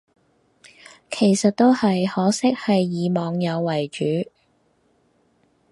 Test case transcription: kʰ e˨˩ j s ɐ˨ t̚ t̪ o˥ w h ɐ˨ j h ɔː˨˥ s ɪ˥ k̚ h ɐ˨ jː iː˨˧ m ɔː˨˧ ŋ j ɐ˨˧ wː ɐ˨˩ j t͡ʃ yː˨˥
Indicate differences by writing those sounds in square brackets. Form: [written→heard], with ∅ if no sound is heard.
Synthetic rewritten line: kʰ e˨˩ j s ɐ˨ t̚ t̪ o˥ w h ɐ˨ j h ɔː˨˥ s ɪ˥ k̚ h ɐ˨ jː iː˨˧ m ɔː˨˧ ŋ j ɐ˨˧ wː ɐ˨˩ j t͡ʃ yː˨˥